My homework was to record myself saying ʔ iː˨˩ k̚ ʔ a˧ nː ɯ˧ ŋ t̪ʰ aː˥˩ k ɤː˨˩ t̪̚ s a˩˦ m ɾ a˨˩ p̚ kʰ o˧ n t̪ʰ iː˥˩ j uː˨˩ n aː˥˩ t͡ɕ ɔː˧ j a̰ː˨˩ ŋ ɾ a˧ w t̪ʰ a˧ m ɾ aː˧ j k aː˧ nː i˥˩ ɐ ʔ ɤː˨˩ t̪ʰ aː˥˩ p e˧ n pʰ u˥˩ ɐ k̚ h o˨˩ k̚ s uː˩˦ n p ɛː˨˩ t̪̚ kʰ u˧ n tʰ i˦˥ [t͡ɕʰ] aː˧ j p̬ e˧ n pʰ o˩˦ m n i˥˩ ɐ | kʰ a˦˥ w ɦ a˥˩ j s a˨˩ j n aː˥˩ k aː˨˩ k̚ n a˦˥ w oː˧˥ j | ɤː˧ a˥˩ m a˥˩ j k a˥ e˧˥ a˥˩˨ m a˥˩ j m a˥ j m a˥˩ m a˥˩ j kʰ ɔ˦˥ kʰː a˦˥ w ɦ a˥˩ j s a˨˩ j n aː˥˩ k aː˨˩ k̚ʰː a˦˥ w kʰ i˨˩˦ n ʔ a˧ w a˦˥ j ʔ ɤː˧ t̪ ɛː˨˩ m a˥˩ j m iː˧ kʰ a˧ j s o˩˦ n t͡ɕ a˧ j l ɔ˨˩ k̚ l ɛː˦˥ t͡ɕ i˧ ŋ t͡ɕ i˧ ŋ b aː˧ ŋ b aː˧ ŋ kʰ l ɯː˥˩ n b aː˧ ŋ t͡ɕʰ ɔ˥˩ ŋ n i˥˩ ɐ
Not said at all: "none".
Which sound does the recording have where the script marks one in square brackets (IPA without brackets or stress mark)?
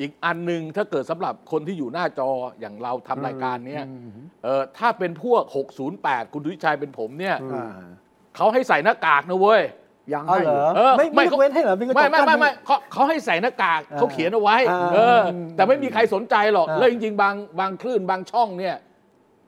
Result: t͡ɕʰ